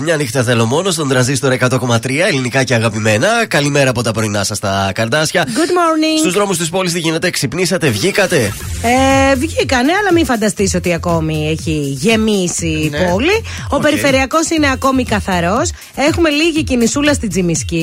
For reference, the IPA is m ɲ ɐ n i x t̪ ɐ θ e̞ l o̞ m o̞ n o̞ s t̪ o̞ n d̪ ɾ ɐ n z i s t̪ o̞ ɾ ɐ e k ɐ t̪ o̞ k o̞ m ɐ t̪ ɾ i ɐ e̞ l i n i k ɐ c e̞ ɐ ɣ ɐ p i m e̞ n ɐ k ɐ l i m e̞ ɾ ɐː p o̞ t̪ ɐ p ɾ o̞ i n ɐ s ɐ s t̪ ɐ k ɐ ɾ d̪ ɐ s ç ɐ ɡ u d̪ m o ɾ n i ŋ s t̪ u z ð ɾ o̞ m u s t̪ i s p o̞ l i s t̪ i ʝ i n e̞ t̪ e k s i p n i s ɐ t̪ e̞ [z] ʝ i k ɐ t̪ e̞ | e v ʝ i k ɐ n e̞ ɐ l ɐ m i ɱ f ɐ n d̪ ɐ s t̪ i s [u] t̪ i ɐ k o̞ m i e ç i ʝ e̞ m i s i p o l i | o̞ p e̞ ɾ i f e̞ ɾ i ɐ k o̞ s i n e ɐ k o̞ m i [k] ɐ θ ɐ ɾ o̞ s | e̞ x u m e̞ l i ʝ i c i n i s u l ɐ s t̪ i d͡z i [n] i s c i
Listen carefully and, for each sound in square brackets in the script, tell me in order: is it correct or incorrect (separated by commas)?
incorrect, incorrect, correct, incorrect